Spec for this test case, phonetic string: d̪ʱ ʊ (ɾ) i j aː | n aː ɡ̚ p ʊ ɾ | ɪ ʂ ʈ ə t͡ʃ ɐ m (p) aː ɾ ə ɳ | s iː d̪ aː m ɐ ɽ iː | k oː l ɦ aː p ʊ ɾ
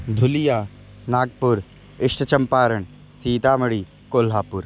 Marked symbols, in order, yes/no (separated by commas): no, yes